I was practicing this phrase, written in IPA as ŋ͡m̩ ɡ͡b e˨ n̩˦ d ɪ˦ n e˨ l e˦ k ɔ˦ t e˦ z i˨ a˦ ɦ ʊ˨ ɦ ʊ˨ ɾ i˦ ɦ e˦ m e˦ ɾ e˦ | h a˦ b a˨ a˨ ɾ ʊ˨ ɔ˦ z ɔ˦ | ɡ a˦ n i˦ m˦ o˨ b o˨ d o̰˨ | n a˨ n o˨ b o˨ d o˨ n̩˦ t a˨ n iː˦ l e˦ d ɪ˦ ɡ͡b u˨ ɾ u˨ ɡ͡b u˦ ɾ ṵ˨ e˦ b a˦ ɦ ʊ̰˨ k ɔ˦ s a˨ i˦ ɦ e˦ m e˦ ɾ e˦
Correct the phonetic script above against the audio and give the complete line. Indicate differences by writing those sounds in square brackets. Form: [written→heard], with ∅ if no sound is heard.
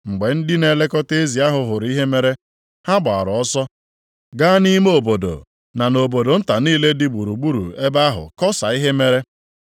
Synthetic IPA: ŋ͡m̩ ɡ͡b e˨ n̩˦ d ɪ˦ n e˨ l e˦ k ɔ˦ t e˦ z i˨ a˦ ɦ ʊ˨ ɦ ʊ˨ ɾ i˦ ɦ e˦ m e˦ ɾ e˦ | h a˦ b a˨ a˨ ɾ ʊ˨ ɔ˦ [z→s] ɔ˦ | ɡ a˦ n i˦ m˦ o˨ b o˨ d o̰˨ | n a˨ n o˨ b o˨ d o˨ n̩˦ t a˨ n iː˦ l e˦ d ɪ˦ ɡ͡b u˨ ɾ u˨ ɡ͡b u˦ ɾ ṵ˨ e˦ b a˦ ɦ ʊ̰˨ k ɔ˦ s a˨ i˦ ɦ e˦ m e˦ ɾ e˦